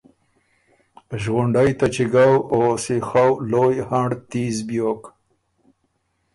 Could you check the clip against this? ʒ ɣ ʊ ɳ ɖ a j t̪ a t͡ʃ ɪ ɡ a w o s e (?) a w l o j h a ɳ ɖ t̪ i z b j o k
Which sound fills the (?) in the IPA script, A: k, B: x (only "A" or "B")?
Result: B